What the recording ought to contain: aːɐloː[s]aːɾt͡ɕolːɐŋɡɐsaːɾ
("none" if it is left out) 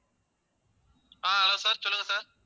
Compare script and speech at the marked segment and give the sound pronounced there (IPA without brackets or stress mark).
s